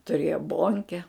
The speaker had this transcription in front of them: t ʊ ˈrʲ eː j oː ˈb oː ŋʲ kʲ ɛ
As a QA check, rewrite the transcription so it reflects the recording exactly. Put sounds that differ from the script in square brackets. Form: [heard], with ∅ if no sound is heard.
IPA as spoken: t ʊ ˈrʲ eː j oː ˈb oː ŋʲ kʲ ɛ